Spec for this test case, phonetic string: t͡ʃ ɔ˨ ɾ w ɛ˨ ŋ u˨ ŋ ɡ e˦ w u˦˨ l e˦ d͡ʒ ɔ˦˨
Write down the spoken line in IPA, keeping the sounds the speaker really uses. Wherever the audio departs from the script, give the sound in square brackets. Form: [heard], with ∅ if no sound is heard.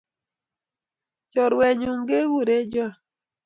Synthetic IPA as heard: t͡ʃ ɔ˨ ɾ w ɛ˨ [ɲ] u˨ ŋ ɡ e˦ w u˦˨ [ɾ] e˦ d͡ʒ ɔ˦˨